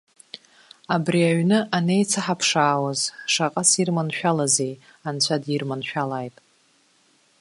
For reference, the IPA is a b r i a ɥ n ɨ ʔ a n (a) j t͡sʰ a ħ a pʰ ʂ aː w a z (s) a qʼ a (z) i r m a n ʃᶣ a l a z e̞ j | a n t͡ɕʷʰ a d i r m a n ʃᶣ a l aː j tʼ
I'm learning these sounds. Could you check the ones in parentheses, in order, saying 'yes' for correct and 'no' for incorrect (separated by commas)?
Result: no, no, no